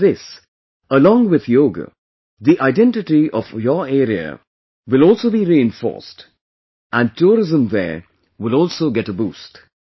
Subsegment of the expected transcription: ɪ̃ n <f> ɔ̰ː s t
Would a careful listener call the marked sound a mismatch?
no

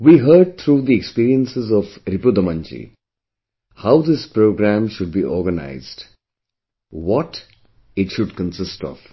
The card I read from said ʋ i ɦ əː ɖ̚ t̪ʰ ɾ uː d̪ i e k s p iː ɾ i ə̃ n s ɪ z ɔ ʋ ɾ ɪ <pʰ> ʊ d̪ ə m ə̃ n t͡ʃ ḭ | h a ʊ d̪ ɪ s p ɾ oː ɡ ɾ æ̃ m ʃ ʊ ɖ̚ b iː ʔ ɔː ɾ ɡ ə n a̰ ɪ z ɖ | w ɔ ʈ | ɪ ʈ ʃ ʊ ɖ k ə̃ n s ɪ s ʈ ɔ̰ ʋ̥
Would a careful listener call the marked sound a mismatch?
yes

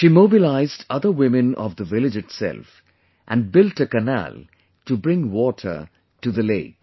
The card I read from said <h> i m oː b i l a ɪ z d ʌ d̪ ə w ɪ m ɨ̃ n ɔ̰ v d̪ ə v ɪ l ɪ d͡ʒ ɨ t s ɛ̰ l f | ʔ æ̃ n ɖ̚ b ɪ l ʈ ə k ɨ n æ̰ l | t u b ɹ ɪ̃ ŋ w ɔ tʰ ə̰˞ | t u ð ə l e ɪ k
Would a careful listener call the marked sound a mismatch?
yes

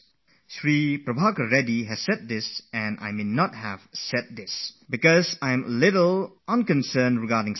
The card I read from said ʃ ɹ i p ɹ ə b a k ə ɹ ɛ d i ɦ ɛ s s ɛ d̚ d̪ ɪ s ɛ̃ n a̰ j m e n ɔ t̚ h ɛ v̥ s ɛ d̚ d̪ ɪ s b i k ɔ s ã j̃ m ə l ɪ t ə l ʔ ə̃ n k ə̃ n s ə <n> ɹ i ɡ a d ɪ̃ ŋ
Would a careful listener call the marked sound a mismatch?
no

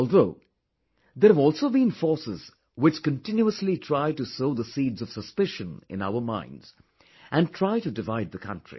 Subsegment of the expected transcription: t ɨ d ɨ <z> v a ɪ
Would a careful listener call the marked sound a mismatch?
yes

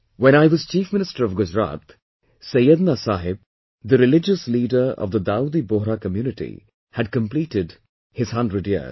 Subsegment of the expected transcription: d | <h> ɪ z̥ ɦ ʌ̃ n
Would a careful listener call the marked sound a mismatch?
no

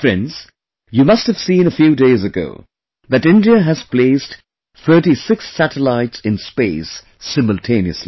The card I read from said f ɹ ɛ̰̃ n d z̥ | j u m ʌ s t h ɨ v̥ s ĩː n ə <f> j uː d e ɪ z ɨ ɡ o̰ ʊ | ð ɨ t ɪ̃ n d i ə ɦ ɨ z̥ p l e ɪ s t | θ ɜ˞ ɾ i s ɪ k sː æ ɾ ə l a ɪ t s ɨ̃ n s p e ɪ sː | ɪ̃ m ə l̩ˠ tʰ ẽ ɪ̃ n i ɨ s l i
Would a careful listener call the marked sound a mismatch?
no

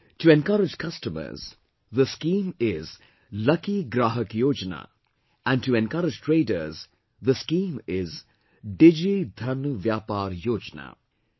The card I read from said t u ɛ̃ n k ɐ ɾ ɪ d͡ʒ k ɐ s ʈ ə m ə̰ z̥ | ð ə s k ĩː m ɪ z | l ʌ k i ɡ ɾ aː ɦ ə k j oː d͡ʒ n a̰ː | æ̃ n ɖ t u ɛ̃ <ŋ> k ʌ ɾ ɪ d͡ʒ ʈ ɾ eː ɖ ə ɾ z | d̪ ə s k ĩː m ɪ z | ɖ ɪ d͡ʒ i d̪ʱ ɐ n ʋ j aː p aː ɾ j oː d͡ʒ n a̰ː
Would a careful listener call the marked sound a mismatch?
yes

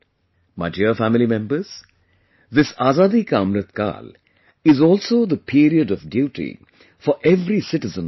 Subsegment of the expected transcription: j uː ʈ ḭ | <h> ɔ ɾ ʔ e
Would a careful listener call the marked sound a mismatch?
yes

